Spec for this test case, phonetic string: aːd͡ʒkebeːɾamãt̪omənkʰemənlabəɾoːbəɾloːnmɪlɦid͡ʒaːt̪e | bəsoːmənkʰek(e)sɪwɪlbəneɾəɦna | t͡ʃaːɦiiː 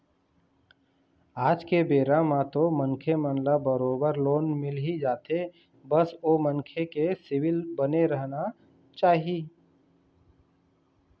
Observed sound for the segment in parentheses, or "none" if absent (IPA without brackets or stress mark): e